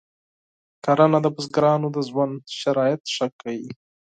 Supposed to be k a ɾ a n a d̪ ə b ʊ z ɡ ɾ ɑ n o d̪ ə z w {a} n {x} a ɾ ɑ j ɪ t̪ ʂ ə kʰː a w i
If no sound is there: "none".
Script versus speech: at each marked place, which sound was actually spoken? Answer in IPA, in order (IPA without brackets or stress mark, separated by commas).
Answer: a, ʃ